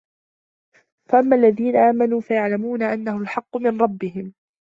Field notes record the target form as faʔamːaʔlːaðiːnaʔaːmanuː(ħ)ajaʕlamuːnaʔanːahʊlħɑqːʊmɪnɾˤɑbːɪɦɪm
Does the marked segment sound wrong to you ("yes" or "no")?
yes